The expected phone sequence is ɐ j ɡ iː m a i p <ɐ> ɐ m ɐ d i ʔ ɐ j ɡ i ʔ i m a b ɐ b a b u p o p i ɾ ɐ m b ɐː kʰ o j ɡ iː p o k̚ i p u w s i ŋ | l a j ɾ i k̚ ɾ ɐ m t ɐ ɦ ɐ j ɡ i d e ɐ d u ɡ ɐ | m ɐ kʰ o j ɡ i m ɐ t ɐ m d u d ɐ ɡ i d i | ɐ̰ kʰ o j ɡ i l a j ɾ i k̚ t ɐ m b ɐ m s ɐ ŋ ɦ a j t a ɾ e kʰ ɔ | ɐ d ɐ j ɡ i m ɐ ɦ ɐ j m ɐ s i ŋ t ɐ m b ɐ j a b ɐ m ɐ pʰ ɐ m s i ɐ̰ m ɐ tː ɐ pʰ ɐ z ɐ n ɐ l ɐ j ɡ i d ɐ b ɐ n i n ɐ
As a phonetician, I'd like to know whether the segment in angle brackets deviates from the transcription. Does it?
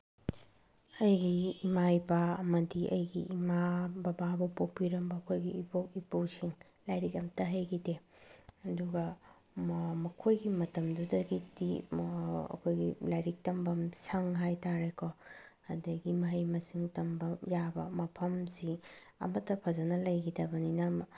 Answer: yes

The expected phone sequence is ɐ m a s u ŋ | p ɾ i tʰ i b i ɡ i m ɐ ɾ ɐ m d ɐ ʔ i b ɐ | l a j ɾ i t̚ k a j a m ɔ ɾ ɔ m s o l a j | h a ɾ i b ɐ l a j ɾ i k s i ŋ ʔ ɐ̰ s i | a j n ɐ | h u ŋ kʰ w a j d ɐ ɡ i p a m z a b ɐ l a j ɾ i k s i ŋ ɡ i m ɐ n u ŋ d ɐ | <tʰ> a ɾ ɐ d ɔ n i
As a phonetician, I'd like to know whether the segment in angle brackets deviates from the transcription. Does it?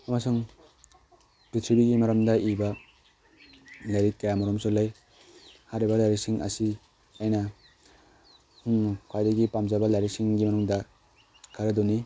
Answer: yes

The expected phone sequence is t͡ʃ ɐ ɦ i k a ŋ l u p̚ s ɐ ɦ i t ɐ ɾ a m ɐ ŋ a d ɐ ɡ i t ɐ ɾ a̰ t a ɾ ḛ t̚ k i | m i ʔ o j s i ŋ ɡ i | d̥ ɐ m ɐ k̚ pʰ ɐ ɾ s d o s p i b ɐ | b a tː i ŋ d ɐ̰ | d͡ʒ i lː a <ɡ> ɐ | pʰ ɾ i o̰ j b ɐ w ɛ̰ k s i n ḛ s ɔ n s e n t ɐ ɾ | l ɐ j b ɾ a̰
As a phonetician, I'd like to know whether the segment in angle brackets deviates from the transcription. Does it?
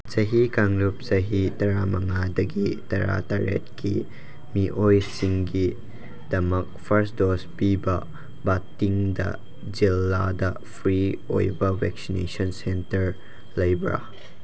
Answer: yes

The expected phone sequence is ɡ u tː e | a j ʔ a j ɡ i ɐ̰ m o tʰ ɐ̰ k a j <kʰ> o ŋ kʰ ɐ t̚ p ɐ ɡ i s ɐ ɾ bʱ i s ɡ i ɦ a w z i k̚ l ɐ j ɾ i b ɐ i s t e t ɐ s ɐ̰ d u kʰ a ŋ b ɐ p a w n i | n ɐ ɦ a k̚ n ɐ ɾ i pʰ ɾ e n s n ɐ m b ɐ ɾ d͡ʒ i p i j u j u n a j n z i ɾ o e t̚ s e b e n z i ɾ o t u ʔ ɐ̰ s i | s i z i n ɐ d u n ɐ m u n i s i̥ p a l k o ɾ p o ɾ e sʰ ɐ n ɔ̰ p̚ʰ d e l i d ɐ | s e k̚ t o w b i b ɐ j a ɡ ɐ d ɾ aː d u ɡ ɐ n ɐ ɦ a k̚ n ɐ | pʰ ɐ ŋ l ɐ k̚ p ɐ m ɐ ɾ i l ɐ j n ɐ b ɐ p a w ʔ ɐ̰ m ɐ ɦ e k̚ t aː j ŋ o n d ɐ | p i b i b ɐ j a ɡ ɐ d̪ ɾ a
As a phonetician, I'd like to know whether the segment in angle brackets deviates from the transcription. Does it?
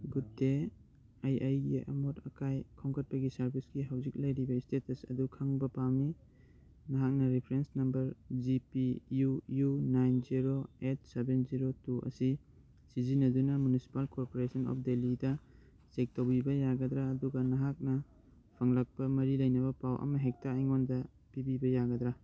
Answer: no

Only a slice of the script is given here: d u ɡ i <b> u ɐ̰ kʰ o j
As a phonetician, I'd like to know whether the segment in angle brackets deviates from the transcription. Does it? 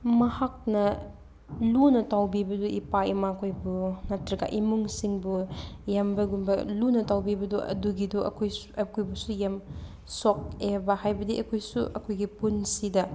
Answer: yes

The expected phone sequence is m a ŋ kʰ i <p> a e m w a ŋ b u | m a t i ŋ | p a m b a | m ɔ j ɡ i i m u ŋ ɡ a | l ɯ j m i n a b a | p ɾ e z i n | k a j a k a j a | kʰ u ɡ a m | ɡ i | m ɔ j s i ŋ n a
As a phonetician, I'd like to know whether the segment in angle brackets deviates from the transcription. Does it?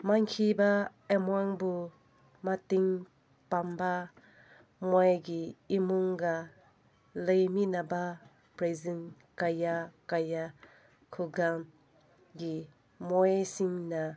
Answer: yes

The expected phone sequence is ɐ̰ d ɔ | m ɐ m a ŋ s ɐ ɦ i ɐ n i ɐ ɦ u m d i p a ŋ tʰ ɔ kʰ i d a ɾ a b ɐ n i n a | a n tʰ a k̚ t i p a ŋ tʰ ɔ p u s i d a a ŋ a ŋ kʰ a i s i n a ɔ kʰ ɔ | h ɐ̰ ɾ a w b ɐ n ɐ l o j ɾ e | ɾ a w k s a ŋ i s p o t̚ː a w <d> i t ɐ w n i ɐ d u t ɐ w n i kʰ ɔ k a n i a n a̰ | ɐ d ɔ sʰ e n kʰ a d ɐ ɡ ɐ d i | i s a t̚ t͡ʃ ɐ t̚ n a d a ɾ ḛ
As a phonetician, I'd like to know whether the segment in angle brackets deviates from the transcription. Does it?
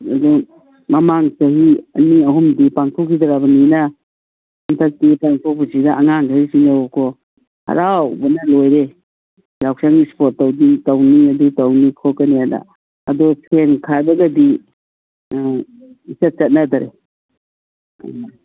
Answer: no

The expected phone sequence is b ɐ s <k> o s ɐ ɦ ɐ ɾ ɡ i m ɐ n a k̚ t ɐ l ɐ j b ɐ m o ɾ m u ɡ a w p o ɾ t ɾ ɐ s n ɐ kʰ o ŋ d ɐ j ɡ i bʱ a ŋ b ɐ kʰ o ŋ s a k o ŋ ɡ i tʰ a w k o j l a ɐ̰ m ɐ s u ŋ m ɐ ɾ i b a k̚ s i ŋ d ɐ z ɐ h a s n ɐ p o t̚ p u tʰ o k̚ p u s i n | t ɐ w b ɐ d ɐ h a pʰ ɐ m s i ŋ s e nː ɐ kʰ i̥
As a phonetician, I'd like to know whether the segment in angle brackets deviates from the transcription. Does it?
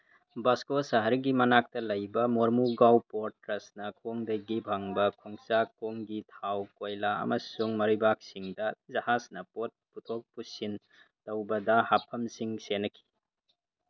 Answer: no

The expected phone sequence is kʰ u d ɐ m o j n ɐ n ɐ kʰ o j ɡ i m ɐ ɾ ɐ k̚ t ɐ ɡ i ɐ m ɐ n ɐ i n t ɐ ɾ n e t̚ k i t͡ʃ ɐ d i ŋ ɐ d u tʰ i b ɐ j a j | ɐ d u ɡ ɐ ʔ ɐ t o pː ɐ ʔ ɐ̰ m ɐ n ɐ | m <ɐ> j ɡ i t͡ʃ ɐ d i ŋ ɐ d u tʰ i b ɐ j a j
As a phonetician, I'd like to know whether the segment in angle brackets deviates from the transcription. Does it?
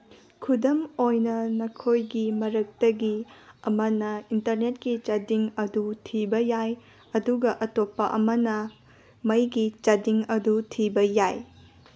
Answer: no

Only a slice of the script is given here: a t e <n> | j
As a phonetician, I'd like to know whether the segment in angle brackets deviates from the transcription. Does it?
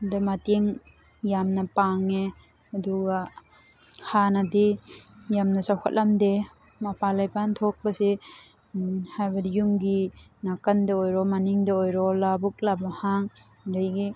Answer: yes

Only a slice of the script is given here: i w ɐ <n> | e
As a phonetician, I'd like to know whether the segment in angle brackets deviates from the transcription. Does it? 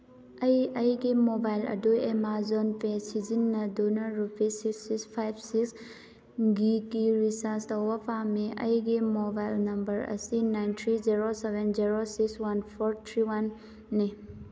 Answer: yes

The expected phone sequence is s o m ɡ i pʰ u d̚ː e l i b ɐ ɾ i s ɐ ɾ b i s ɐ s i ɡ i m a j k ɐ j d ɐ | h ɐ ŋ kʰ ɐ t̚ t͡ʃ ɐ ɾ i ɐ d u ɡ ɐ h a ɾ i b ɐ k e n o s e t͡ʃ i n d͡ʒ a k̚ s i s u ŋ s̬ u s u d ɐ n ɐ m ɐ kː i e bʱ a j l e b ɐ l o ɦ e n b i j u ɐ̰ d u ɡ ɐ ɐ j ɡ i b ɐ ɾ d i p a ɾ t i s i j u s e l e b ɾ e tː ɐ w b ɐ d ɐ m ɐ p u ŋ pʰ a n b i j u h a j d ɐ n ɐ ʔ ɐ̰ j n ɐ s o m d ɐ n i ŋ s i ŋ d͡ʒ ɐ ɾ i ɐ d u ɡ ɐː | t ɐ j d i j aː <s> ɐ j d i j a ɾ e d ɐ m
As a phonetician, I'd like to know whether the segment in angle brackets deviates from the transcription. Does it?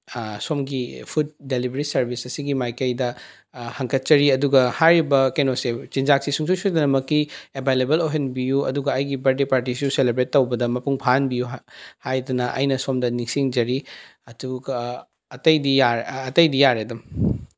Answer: yes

